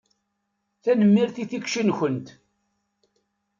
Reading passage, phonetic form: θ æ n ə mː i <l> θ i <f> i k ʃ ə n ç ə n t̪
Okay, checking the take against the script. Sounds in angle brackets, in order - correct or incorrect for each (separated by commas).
incorrect, incorrect